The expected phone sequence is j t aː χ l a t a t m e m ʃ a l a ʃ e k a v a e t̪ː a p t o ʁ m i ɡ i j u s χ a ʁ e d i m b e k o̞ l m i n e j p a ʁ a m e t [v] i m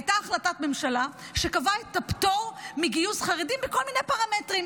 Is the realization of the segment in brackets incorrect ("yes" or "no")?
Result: yes